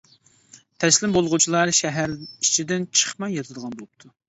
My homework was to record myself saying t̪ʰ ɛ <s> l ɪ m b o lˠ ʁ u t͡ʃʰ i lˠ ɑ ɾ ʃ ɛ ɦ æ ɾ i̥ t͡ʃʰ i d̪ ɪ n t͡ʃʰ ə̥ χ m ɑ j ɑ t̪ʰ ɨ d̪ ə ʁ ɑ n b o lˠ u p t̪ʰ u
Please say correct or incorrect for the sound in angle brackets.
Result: correct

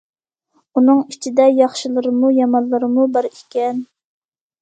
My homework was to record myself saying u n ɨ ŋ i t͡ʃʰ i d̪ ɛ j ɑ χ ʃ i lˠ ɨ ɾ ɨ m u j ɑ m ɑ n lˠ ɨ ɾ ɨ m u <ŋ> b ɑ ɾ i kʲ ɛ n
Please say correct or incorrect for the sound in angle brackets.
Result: incorrect: none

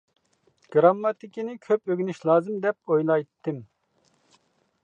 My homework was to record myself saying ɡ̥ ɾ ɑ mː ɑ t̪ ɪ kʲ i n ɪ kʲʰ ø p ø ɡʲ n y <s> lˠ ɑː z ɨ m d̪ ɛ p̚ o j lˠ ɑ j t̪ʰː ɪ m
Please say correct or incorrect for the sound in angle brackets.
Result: incorrect: ʃ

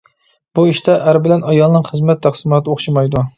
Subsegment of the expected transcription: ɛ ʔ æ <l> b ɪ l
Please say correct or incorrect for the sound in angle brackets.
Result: incorrect: ɾ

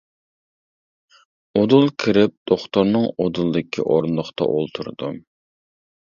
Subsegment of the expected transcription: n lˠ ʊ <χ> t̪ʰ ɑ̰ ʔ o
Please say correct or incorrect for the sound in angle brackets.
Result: correct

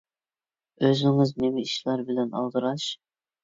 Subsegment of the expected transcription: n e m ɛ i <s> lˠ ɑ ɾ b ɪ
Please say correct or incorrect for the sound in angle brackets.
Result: incorrect: ʃ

